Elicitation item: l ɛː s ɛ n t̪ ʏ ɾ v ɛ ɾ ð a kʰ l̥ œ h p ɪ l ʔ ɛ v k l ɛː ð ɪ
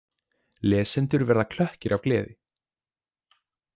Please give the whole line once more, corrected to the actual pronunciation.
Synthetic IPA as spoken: l ɛː s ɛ n t̪ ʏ ɾ v ɛ ɾ ð a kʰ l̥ œ h c ɪ ɾ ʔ a v k l ɛː ð ɪ